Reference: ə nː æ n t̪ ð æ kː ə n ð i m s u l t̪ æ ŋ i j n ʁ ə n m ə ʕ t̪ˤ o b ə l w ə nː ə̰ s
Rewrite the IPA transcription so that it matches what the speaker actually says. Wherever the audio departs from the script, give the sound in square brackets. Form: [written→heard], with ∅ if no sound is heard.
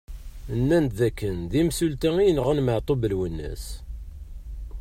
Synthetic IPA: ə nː æ n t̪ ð æ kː ə n ð i m s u l t̪ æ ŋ i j n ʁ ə n m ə ʕ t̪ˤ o b ə l w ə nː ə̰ s